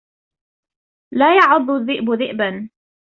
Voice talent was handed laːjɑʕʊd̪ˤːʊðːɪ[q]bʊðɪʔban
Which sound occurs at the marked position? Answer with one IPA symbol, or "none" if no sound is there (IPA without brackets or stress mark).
ʔ